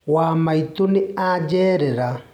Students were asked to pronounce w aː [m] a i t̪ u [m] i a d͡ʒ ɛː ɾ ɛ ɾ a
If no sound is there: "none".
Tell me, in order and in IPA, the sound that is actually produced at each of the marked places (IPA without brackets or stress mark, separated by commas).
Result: m, n